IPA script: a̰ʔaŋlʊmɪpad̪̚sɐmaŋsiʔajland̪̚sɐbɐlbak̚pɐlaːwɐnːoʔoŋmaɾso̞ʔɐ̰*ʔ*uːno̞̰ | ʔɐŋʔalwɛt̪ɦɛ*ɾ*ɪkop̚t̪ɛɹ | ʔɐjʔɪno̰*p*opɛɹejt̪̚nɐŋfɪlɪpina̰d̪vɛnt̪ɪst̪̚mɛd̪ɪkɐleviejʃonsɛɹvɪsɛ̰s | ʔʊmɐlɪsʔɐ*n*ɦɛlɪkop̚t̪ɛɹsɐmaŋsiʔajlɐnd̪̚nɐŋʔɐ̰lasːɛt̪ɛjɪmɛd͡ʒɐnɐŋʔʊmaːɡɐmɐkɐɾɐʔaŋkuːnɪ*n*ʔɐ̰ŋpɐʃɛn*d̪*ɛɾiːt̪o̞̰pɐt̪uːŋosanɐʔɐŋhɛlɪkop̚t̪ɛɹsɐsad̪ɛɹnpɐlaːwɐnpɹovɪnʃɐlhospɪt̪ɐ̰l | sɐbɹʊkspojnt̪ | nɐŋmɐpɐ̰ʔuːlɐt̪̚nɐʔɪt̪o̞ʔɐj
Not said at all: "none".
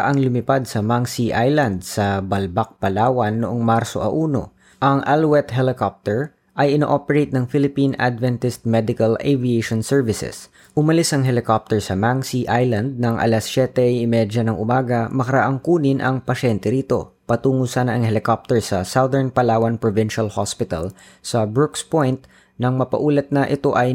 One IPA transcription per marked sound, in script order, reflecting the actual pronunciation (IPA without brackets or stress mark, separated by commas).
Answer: ʔ, l, ʔ, ŋ, n, t̪